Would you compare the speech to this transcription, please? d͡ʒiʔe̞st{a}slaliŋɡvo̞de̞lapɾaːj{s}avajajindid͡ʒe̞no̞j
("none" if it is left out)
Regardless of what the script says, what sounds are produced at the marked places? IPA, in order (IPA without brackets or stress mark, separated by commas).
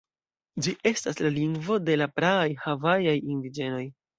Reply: a, h